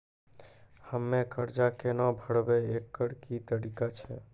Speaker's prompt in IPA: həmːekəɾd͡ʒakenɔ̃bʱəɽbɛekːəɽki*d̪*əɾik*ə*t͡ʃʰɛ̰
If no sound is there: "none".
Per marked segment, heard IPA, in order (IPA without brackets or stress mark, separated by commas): t̪, a